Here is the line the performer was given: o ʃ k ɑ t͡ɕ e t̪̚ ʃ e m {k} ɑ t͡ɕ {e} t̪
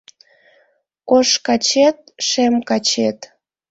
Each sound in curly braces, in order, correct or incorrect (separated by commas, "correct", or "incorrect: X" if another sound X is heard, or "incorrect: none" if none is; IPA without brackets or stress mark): correct, correct